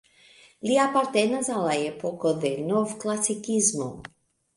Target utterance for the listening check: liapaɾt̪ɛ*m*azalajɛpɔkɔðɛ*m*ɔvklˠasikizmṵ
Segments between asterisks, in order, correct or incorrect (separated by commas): incorrect, incorrect